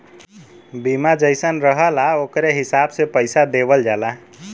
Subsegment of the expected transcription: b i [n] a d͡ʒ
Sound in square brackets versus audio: incorrect: m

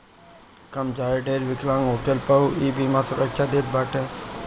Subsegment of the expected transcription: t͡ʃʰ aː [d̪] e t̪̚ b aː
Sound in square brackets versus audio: correct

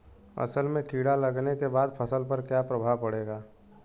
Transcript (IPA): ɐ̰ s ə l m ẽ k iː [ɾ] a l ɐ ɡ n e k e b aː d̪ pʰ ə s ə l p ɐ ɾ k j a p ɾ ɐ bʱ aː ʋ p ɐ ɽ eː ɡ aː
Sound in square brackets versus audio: incorrect: ɽ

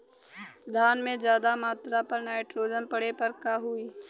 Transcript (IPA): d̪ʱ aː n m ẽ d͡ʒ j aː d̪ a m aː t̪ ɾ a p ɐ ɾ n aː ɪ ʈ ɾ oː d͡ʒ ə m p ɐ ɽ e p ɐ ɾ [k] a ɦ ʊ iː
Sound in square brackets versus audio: correct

